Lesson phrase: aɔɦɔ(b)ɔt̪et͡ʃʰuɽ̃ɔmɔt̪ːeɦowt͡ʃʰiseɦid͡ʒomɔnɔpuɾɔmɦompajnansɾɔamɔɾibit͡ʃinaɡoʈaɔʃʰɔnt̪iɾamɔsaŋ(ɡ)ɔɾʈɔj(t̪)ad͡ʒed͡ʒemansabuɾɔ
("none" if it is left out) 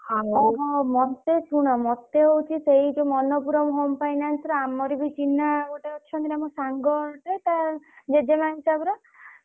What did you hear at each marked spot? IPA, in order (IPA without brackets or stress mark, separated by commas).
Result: m, ɡ, t̪